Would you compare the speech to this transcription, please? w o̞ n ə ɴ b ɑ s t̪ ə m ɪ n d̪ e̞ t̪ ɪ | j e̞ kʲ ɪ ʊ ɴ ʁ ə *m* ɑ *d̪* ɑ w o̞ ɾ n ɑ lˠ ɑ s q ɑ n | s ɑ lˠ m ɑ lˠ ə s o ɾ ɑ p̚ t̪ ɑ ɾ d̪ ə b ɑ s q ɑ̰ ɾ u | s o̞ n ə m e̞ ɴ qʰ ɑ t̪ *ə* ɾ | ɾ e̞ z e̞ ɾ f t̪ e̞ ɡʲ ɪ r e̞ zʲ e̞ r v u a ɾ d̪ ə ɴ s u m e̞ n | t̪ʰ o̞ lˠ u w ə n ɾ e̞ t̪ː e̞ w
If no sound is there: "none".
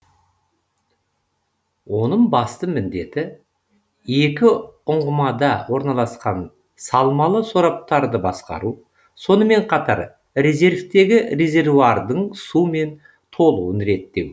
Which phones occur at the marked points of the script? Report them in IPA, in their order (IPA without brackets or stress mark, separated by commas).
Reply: m, d̪, ɑ